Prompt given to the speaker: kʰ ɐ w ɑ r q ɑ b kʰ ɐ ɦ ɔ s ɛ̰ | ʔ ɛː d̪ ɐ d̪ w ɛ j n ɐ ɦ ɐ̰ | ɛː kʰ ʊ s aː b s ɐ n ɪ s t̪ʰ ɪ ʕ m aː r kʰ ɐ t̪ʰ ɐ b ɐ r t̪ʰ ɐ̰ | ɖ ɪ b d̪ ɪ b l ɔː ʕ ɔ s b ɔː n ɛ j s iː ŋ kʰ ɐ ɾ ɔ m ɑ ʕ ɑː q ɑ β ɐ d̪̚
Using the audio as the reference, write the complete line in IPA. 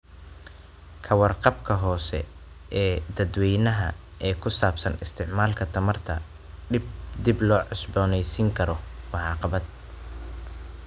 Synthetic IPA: kʰ ɐ w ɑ r q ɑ b kʰ ɐ ɦ ɔː s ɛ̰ | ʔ ɛː d̪ ɐ d̪ w ɛ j n ɐ ɦ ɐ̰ | ɛː kʰ ʊ s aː b s ɐ n ɪ s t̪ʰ ɪ ʕ m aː l kʰ ɐ t̪ʰ ɐ m ɐ r t̪ʰ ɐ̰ | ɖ ɪ b d̪ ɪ b l ɔː ʕ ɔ s b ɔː n ɛ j s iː ŋ kʰ ɐ ɾ ɔ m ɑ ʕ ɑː q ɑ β ɐ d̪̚

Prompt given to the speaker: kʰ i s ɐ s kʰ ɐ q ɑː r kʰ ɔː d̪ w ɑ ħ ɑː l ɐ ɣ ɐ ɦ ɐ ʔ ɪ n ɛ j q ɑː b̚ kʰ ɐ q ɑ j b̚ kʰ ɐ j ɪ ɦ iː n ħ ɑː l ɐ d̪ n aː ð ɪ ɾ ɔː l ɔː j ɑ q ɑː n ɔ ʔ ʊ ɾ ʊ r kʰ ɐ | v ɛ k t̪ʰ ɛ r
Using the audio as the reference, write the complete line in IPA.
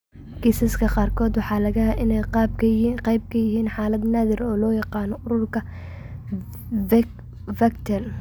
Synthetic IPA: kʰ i s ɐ s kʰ ɐ q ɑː r kʰ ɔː d̪ w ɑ ħ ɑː l ɐ ɣ ɐ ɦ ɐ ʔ ɪ n ɛ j q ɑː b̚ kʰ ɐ q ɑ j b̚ kʰ ɐ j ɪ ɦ iː n ħ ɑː l ɐ d̪ n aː ð ɪ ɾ ɔː l ɔː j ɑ q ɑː n ɔ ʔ ʊ ɾ ʊ r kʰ ɐ | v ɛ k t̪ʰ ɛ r

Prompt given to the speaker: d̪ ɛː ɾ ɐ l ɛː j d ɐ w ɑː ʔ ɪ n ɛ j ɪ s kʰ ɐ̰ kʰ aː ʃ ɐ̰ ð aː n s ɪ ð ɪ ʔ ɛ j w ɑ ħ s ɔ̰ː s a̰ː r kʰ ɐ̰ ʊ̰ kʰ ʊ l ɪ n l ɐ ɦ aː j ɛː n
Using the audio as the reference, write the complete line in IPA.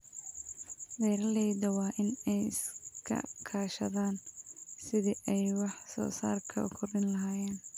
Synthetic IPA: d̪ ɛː ɾ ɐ l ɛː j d ɐ w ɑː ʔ ɪ n ɛ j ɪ s kʰ ɐ̰ kʰ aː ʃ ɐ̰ ð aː n s ɪ ð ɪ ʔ ɛ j w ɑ ħ s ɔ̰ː s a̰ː r kʰ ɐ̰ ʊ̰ kʰ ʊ r ɪ n l ɐ ɦ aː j ɛː n

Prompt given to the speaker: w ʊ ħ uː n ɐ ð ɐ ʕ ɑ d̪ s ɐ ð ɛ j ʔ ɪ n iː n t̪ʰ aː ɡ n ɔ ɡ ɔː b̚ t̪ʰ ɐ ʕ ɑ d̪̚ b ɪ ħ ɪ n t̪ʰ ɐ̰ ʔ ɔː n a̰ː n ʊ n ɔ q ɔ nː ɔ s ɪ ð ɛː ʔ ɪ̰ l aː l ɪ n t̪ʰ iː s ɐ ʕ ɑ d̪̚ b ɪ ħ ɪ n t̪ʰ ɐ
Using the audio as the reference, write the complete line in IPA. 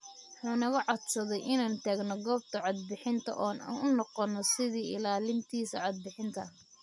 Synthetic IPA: w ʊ ħ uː n ɐ ɣ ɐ ʕ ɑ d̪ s ɐ ð ɛ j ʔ ɪ n aː n t̪ʰ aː ɡ n ɔ ɡ ɔː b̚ t̪ʰ ɐ ʕ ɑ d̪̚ b ɪ ħ ɪ n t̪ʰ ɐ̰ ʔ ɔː n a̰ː n ʊ n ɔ q ɔ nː ɔ s ɪ ð iː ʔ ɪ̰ l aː l ɪ n t̪ʰ iː s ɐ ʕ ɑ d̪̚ b ɪ ħ ɪ n t̪ʰ ɐ

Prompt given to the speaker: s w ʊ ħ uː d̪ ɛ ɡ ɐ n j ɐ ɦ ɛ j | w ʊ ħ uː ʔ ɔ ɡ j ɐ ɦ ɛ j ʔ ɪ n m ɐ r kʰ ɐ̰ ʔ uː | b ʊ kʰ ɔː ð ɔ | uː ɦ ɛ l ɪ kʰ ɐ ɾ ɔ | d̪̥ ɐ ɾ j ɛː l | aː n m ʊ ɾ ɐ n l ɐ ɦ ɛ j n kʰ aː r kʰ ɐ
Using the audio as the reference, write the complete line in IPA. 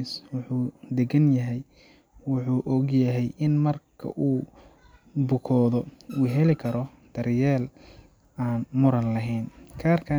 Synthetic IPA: s w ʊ ħ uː d̪ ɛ ɡ ɐ n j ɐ ɦ ɛ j | w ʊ ħ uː ʔ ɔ ɡ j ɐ ɦ ɛ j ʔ ɪ n m ɐ r kʰ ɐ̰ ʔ uː | b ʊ kʰ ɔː ð ɔ | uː ɦ ɛ l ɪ kʰ ɐ ɾ ɔ | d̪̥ ɐ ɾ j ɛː l | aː n m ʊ ɾ ɐ n l ɐ ɦ ɛ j n kʰ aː r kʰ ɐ

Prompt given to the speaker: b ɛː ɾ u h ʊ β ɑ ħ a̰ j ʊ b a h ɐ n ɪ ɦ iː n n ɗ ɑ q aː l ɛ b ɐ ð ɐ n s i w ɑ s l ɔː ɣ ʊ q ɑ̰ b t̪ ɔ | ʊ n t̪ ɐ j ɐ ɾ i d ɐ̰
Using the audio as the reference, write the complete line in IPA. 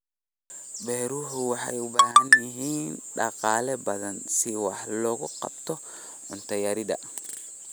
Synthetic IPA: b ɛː ɾ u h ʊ w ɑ ħ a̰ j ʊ b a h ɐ n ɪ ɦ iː n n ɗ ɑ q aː l ɛ b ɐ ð ɐ n s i w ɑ ħ l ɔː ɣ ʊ q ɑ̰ b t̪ ɔ | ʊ n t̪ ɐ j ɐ ɾ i d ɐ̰

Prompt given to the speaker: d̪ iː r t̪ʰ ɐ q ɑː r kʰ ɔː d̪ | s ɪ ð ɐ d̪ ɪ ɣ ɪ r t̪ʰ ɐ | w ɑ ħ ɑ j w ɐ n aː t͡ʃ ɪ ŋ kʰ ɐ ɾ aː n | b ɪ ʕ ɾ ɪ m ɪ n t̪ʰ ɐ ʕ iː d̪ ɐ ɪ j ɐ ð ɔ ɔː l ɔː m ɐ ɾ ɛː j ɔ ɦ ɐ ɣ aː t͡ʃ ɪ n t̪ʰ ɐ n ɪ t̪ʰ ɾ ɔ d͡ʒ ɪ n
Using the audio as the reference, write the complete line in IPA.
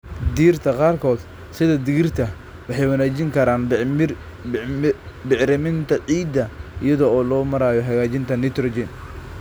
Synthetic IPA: d̪ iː r t̪ʰ ɐ q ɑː r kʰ ɔː d̪ | s ɪ ð ɐ d̪ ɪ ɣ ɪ r t̪ʰ ɐ | w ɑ ħ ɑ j w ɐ n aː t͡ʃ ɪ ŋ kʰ ɐ ɾ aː n | b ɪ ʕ ɾ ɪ m ɪ n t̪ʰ ɐ ʕ iː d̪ ɐ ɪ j ɐ ð ɔ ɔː l ɔː m ɐ ɾ aː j ɔ ɦ ɐ ɣ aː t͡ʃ ɪ n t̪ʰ ɐ n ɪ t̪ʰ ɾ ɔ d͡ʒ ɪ n

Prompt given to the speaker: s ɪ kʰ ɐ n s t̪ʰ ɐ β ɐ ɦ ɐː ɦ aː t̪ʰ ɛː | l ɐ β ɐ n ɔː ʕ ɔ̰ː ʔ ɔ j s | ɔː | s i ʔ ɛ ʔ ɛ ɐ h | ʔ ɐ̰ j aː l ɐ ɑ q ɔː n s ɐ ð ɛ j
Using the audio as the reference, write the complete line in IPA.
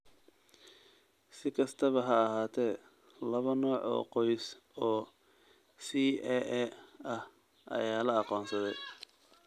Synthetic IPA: s ɪ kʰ ɐ s t̪ʰ ɐ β ɐ ɦ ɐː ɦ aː t̪ʰ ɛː | l ɐ β ɐ n ɔː ʕ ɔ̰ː q ɔ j s | ɔː | s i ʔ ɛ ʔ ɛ ɐ h | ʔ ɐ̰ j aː l ɐ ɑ q ɔː n s ɐ ð ɛ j

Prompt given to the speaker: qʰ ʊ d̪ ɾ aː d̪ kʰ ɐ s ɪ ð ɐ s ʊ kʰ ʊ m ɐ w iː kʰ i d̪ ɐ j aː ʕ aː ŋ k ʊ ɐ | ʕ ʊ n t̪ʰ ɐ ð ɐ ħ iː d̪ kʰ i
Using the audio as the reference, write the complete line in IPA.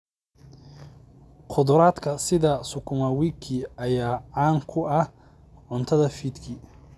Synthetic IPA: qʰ ʊ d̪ ɾ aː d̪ kʰ ɐ s ɪ ð ɐ s ʊ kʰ ʊ m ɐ w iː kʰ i ɐ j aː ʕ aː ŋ kʰ ʊ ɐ | ʕ ʊ n t̪ʰ ɐ ð ɐ f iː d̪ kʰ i

